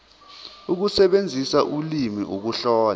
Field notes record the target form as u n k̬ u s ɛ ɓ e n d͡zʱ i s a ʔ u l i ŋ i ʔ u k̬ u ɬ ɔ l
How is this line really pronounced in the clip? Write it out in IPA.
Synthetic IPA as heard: u k̬ u s ɛ ɓ e n d͡zʱ i s a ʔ u l i m i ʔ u k̬ u ɬ ɔː l